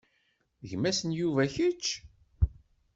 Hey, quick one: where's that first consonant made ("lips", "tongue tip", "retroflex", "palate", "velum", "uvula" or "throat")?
palate